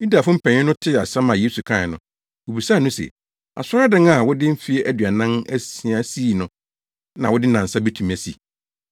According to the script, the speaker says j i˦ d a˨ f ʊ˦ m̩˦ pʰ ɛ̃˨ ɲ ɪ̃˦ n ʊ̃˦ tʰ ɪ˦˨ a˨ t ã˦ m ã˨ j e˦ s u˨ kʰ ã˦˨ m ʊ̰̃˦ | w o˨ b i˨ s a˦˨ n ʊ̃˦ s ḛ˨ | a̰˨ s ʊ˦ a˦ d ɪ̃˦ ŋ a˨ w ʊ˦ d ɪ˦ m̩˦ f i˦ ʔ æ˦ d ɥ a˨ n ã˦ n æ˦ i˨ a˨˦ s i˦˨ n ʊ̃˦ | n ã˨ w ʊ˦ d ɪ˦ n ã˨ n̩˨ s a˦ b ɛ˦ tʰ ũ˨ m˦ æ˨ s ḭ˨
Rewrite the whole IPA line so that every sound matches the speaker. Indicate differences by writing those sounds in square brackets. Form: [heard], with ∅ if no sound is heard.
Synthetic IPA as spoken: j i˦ d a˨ f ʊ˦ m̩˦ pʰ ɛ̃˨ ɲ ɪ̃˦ n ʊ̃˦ tʰ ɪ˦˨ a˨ [s] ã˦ m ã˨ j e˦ s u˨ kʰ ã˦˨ [n] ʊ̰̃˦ | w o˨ b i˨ s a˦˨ n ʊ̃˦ s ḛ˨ | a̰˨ s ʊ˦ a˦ d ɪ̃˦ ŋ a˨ w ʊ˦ d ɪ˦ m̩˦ f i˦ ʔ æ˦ d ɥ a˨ n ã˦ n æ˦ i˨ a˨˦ s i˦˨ n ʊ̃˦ | n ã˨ w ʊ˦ d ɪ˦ n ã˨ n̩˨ s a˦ b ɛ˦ tʰ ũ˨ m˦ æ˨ s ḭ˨